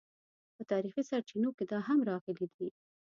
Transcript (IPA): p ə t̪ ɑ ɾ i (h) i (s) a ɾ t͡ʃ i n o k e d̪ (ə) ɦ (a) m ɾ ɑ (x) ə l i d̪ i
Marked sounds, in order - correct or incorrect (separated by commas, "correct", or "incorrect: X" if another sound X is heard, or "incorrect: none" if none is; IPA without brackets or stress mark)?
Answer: incorrect: x, correct, incorrect: ɑ, correct, incorrect: ɣ